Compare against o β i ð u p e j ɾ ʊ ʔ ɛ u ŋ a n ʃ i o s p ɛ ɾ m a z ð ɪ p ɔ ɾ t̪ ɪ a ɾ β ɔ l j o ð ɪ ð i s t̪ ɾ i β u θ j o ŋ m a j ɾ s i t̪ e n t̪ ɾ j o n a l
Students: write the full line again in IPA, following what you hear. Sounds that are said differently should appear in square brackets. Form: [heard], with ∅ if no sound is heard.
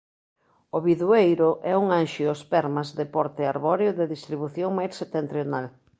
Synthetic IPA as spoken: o β i ð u [∅] e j ɾ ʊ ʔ ɛ u ŋ a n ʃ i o s p ɛ ɾ m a z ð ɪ p ɔ ɾ t̪ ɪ a ɾ β ɔ [ɾ] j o ð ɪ ð i s t̪ ɾ i β u θ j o ŋ m a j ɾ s [e] t̪ e n t̪ ɾ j o n a l

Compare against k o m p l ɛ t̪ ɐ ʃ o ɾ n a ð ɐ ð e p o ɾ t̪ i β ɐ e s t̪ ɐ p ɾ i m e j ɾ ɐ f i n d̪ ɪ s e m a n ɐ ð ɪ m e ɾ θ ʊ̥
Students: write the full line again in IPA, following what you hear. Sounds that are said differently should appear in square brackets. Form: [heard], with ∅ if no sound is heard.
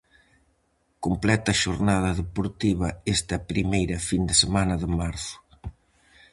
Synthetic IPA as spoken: k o m p l ɛ t̪ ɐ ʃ o ɾ n a ð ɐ ð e p o ɾ t̪ i β ɐ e s t̪ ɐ p ɾ i m e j ɾ ɐ f i n d̪ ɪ s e m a n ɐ ð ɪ m [a] ɾ θ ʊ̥

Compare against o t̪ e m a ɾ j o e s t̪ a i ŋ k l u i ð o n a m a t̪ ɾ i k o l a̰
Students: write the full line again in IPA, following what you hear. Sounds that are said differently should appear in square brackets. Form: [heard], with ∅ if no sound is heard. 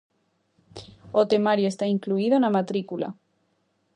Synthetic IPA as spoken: o t̪ e m a ɾ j o e s t̪ a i ŋ k l u i ð o n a m a t̪ ɾ i k [u] l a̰

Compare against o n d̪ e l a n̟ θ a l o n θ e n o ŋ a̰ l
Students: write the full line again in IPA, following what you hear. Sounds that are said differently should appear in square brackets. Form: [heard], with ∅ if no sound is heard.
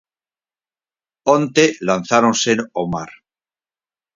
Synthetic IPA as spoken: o n [t̪] e l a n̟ θ a [ɾ] o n [s] e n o [m] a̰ [ɾ]

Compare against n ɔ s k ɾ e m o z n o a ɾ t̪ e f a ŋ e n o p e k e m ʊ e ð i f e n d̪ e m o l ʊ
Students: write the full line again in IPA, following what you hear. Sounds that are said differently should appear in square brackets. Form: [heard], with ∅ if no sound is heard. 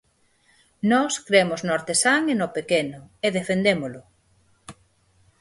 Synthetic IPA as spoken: n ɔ s k ɾ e m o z n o a ɾ t̪ e [s] a ŋ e n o p e k e [n] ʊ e ð [e] f e n d̪ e m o l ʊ

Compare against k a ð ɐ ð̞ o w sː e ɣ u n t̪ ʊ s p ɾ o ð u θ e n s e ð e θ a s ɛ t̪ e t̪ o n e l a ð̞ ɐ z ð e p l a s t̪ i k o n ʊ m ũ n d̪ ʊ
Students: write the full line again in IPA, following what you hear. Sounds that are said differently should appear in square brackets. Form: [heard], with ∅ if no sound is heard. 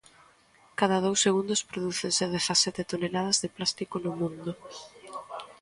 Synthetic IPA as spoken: k a ð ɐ ð̞ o w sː e ɣ u n [d̪] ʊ s p ɾ o ð u θ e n s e ð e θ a s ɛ t̪ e t̪ o n e l a ð̞ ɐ z ð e p l a s t̪ i k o n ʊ m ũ n d̪ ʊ

